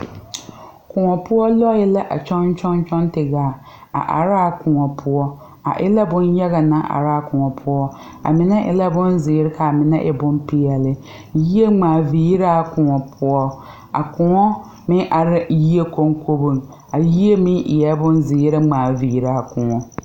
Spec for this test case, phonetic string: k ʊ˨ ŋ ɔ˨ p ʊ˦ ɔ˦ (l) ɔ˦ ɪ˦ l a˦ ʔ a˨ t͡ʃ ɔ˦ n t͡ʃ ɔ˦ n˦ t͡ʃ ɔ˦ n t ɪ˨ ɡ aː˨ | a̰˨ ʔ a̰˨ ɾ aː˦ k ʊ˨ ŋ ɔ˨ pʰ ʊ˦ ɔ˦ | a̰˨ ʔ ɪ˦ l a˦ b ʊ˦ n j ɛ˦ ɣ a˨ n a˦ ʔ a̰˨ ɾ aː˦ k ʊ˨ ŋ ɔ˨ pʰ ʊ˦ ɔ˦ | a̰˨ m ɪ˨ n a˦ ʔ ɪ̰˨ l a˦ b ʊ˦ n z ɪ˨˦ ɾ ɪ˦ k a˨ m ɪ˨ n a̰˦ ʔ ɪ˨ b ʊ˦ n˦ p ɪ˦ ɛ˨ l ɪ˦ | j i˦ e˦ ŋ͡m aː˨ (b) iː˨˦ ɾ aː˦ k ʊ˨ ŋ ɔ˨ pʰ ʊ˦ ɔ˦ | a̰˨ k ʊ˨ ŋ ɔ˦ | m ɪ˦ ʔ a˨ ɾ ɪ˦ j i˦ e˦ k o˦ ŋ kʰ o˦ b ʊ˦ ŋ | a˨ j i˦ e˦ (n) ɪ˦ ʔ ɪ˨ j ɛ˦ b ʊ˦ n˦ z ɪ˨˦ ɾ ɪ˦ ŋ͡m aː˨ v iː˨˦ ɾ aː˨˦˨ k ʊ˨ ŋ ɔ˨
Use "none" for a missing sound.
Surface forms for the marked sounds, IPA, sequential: l, v, m

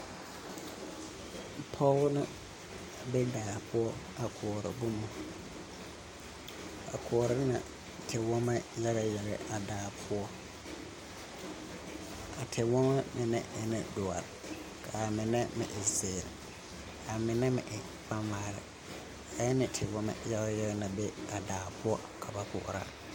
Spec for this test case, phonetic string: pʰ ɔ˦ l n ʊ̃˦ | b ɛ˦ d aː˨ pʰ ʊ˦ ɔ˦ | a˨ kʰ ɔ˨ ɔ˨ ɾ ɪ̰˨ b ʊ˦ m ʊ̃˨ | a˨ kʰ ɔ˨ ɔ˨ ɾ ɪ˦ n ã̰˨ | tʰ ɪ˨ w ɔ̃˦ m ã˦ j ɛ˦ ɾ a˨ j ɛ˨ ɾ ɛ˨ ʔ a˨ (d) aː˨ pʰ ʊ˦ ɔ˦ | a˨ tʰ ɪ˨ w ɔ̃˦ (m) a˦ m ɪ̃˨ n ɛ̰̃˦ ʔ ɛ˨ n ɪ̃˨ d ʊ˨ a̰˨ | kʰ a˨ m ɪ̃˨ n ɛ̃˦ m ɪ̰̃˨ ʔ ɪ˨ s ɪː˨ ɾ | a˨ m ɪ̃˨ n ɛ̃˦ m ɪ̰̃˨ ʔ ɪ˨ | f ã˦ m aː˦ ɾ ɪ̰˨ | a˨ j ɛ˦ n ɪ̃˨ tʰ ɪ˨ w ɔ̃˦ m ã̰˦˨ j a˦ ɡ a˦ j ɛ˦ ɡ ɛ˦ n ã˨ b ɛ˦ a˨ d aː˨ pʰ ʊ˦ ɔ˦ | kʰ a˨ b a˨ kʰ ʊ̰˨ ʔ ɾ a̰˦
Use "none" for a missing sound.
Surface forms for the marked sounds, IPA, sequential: d, m

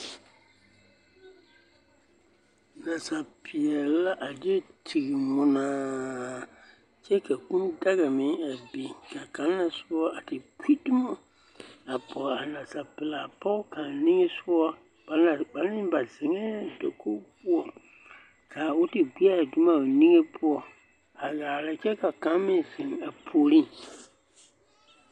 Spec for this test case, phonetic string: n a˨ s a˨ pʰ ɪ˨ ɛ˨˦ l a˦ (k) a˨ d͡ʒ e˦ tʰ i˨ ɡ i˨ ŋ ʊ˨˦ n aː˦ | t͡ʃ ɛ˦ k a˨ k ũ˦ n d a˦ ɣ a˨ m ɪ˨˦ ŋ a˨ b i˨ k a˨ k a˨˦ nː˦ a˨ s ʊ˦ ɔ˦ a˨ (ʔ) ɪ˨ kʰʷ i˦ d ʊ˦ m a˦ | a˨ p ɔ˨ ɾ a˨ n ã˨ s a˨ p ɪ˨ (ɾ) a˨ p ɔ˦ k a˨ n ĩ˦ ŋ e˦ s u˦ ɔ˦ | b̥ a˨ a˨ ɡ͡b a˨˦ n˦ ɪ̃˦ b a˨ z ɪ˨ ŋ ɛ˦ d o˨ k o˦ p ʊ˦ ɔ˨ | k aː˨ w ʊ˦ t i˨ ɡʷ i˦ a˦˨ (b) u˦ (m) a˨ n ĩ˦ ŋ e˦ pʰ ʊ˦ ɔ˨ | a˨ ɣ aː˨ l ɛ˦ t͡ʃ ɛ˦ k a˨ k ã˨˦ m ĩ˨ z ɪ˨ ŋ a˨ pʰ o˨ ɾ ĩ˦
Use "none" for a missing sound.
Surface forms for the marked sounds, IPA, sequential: ʔ, t, l, d, m

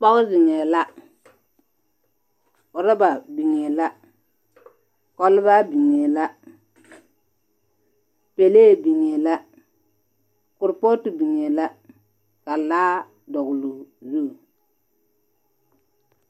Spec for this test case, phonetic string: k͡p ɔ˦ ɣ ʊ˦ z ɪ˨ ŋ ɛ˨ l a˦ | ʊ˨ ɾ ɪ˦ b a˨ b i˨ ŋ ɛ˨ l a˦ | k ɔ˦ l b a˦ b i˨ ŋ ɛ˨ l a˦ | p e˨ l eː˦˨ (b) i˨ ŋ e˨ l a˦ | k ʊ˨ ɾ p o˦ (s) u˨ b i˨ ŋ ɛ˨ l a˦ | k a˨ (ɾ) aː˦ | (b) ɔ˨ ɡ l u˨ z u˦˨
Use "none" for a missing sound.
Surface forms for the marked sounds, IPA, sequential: b, t, l, d

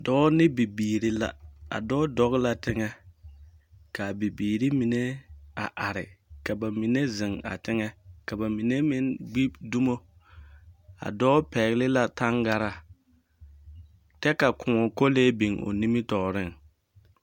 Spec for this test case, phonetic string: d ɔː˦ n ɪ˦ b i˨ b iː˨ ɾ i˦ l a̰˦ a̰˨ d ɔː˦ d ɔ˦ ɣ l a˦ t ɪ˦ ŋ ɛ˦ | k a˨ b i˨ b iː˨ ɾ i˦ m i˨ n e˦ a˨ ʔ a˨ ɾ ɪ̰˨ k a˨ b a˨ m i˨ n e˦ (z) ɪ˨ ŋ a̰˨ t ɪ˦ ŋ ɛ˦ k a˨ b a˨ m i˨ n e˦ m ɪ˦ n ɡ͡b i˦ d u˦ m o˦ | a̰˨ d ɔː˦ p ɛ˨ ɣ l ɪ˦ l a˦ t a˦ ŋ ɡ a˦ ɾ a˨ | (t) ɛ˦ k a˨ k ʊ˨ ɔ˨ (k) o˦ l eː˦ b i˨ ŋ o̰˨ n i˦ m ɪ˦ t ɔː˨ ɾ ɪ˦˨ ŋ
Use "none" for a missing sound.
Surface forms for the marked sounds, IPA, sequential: z, t, k

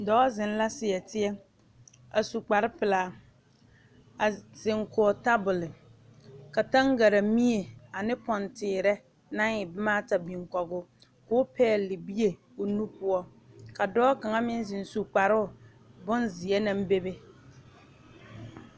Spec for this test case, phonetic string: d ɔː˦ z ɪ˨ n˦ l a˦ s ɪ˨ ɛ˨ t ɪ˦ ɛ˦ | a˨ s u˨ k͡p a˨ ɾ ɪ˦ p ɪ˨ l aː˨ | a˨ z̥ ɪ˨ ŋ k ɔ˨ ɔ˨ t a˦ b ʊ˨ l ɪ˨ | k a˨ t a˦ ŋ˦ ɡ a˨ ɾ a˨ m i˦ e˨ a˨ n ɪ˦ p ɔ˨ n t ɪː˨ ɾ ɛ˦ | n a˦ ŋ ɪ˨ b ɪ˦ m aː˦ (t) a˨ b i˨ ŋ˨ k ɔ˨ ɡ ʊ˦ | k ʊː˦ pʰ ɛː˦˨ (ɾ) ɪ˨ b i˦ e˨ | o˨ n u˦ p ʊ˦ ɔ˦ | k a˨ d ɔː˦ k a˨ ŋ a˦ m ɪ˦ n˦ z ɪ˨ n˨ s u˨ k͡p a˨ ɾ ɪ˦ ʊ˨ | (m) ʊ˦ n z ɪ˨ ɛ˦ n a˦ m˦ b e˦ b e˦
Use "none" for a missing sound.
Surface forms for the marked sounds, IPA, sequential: t, l, b

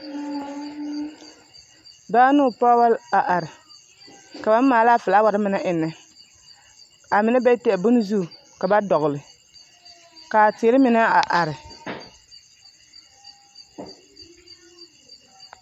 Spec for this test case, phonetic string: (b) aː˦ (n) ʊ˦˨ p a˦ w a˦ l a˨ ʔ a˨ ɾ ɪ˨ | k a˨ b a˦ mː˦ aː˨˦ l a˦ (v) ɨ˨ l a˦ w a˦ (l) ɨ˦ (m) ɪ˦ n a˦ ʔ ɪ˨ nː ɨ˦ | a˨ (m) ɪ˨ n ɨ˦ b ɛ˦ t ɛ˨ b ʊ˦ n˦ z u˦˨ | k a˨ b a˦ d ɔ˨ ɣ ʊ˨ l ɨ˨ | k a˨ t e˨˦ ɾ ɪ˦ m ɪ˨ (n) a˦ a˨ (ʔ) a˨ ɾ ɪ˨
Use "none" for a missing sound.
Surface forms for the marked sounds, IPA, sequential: b, n, f, ɾ, m, m, n, ʔ

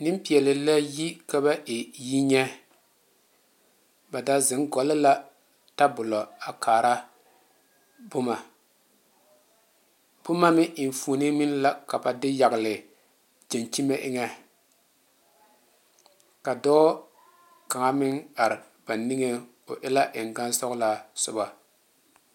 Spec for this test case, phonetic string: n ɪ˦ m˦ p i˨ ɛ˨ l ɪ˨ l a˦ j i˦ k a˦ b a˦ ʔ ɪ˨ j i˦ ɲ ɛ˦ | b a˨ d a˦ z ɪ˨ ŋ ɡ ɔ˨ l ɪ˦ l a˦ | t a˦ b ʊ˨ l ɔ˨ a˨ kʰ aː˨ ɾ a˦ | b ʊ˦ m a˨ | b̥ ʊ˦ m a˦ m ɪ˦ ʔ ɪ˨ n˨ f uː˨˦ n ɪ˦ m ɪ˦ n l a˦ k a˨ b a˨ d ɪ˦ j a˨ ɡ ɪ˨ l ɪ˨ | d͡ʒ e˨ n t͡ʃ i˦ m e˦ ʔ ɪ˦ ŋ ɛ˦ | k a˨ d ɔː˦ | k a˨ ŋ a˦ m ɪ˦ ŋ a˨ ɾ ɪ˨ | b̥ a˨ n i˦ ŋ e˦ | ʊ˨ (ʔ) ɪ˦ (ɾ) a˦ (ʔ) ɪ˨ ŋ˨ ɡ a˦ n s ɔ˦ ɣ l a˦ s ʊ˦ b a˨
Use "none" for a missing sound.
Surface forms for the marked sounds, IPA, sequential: ʔ, l, ʔ

